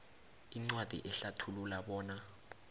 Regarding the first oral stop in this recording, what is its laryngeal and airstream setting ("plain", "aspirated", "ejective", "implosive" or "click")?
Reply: click